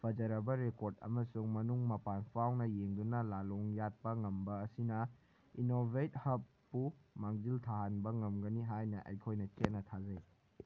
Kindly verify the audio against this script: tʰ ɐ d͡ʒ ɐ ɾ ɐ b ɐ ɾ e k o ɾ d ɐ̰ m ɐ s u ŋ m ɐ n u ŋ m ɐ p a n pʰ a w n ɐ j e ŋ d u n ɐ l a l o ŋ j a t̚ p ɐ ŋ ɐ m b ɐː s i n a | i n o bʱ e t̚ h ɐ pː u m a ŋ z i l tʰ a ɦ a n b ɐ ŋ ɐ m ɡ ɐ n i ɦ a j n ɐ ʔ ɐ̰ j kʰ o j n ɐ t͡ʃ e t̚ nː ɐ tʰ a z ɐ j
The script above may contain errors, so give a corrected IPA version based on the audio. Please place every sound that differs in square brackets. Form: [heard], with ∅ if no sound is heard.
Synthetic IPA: [pʰ] ɐ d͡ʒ ɐ ɾ ɐ b ɐ ɾ e k o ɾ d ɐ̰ m ɐ s u ŋ m ɐ n u ŋ m ɐ p a n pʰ a w n ɐ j e ŋ d u n ɐ l a l o ŋ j a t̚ p ɐ ŋ ɐ m b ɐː s i n [ɐ] | i n o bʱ e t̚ h ɐ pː u m a ŋ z i l tʰ a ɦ a n b ɐ ŋ ɐ m ɡ ɐ n i ɦ a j n ɐ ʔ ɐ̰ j kʰ o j n ɐ t͡ʃ e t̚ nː ɐ tʰ a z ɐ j